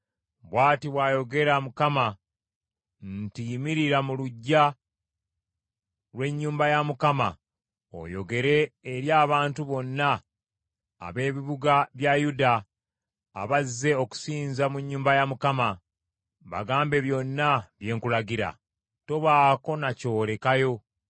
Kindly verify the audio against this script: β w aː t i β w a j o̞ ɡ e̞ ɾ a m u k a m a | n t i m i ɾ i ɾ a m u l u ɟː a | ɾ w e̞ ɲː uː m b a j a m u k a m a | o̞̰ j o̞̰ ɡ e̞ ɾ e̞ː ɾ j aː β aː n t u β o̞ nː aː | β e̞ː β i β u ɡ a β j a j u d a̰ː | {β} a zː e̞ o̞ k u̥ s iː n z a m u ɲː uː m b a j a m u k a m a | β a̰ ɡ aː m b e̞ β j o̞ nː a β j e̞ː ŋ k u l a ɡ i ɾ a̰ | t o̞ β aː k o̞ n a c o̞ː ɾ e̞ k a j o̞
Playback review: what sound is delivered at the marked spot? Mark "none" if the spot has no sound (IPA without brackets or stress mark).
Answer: β